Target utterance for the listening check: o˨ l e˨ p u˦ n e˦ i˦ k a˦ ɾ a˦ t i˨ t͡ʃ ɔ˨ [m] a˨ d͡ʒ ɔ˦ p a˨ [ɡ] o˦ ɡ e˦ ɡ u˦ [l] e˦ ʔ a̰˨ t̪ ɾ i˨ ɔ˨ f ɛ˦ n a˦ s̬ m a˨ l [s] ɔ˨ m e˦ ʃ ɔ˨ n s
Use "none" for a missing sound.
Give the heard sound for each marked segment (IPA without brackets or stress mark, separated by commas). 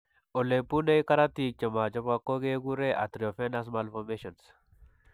m, k, ɾ, f